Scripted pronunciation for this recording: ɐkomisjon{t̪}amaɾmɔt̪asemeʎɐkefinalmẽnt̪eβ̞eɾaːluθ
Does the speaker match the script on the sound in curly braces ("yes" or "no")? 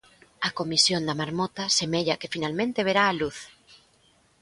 no